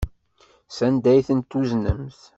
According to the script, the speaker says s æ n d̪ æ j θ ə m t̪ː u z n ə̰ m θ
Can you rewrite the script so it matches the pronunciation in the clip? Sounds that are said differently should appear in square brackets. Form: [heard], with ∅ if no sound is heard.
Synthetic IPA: s æ n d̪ æ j θ ə [n] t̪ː u z n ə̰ m θ